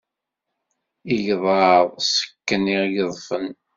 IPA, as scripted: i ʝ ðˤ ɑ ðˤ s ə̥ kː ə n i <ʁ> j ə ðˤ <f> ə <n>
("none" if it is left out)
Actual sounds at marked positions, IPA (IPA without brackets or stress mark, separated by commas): ʁ, f, n